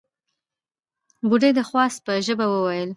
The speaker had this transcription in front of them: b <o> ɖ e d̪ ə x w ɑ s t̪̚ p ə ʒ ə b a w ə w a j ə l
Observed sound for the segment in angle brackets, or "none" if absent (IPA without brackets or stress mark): u